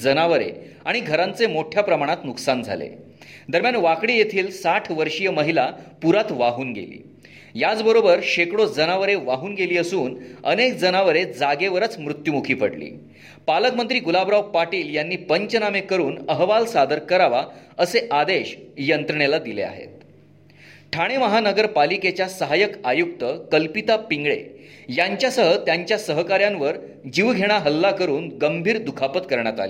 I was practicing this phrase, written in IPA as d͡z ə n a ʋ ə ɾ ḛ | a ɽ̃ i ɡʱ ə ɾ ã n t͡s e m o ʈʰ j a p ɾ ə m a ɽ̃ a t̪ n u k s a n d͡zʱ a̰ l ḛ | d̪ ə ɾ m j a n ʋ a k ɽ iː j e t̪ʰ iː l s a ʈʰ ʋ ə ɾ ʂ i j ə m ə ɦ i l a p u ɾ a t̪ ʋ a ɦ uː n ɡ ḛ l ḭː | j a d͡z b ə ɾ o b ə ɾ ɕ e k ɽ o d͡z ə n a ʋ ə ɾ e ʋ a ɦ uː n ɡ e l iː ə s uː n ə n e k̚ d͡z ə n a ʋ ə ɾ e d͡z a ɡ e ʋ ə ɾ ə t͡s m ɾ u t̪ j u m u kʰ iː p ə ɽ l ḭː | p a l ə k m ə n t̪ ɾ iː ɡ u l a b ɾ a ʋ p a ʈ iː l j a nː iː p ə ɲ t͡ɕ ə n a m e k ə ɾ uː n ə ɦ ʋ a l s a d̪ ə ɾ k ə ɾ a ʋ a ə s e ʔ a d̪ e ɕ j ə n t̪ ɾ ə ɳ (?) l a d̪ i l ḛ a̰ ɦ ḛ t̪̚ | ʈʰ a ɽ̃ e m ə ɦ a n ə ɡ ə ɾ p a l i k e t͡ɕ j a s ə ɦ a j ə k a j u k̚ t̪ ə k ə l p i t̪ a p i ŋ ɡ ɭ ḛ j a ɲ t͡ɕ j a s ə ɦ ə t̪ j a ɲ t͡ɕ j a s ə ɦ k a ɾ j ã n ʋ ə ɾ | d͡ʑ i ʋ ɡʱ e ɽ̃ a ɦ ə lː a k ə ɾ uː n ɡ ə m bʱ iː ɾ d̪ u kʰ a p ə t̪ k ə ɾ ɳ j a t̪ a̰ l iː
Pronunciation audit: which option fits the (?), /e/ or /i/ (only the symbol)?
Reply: e